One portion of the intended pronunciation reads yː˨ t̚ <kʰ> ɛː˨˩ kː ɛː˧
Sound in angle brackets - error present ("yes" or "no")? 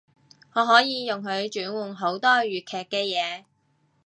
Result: no